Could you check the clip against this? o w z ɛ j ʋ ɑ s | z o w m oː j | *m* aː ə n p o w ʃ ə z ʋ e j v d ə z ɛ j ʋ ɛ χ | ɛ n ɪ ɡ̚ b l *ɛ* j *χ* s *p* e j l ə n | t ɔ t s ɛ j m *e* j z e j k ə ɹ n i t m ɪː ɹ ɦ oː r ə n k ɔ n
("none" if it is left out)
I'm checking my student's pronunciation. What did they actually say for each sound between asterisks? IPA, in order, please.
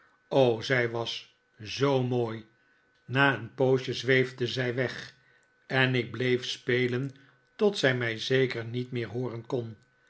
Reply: n, e, f, p, ɛ

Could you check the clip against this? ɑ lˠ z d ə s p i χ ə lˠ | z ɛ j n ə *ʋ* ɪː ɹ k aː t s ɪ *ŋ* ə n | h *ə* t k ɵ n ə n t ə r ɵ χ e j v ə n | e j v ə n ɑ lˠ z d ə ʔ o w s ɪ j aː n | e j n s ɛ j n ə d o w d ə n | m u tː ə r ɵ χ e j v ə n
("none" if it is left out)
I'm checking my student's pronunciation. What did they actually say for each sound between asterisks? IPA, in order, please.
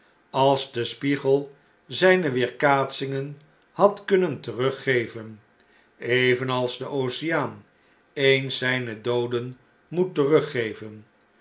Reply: ʋ, ŋ, ɑ

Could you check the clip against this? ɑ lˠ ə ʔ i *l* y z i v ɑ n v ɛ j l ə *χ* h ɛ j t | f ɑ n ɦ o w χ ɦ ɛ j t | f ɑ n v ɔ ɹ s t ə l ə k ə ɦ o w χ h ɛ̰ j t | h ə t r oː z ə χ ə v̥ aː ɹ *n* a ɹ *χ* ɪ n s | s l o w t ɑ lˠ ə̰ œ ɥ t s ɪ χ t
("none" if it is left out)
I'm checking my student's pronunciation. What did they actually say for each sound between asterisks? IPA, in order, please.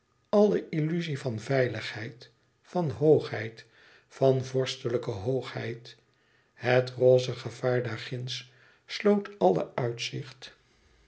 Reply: l, χ, d, χ

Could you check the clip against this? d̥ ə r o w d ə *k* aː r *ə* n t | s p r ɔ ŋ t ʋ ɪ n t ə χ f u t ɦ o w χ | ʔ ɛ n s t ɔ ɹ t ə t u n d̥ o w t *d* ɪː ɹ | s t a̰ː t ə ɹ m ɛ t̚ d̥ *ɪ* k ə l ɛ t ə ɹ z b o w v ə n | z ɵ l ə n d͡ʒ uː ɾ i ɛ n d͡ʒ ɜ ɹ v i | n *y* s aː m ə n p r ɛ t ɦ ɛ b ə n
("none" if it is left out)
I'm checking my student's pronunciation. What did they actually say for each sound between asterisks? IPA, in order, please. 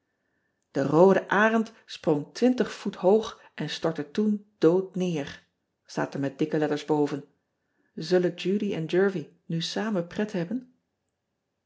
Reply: ʔ, ə, n, ɪ, y

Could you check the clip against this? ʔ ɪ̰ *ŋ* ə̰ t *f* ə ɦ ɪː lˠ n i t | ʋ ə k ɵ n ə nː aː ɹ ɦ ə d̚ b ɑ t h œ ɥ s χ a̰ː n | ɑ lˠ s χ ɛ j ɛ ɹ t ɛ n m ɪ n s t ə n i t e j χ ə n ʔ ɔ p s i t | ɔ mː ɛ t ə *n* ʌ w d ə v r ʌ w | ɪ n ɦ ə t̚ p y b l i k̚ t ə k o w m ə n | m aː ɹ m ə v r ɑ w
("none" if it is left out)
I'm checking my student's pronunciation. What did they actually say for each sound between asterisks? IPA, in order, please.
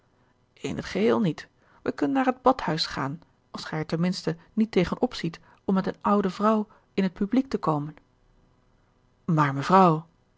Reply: n, χ, n

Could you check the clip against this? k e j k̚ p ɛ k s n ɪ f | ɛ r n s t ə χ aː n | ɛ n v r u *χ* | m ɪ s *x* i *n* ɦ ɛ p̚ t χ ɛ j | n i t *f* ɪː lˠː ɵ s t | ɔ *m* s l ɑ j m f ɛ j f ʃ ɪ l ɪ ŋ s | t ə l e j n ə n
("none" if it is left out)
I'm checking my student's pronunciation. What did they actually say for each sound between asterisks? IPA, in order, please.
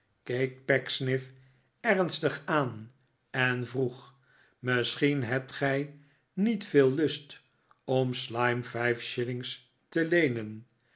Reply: χ, χ, n, f, m

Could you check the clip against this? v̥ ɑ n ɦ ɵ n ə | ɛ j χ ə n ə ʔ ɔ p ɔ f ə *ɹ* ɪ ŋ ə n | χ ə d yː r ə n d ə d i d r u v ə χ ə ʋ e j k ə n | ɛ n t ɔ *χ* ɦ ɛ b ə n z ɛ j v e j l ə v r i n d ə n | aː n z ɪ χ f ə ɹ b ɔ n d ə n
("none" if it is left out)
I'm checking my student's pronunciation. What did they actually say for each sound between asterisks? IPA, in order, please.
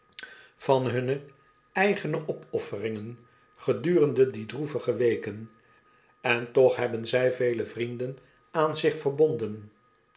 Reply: r, χ

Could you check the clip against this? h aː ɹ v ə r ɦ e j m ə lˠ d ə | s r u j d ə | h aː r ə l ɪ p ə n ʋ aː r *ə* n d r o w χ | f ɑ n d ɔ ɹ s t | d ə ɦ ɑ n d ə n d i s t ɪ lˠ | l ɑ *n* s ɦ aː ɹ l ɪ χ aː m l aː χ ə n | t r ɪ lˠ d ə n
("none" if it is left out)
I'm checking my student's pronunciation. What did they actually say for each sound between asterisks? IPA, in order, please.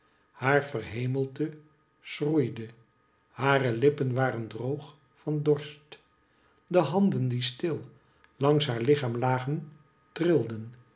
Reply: ə, ŋ

